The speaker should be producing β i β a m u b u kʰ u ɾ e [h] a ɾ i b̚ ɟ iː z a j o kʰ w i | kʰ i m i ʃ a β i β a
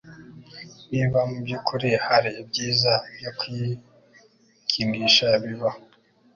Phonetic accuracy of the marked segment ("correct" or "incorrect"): correct